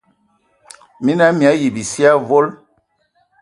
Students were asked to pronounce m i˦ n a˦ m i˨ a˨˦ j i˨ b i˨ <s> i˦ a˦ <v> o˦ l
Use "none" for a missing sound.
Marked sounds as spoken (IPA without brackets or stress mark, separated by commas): s, v